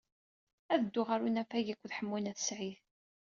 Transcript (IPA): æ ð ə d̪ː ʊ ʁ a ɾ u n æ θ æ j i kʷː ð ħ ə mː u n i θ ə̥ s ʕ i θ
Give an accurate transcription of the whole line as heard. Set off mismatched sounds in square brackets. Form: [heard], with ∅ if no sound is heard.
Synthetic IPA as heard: æ ð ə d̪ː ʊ ʁ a ɾ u n æ [f] æ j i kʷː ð ħ ə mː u n [æ] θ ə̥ s ʕ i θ